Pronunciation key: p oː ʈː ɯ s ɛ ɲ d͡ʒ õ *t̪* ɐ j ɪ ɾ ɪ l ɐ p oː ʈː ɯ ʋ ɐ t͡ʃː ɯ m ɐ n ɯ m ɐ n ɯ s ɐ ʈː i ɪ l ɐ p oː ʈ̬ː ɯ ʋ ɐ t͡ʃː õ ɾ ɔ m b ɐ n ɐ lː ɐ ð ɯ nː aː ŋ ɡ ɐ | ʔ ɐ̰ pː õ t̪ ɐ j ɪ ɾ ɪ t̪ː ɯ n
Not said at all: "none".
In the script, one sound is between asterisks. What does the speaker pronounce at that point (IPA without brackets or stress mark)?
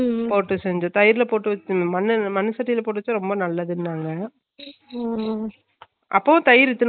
t̪